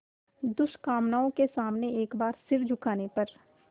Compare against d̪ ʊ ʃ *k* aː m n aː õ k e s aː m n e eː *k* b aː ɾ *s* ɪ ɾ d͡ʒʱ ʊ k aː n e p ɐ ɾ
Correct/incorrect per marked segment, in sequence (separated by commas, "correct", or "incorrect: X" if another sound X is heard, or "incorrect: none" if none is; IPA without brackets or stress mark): correct, correct, correct